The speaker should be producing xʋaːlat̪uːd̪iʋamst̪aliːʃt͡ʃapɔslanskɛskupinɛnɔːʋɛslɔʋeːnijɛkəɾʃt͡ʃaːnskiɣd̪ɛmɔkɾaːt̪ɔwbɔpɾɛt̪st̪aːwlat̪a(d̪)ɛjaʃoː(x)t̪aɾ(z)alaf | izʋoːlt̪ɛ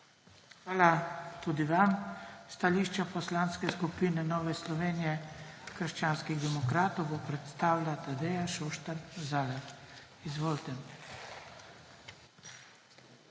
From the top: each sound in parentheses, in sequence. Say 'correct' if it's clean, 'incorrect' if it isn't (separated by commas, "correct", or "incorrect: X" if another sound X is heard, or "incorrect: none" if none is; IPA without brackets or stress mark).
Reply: correct, incorrect: ʃ, correct